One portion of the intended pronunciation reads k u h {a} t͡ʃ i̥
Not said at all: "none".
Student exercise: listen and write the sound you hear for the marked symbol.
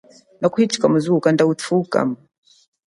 i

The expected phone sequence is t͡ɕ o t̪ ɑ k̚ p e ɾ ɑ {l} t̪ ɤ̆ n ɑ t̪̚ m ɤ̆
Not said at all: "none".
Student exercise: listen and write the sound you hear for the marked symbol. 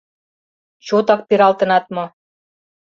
l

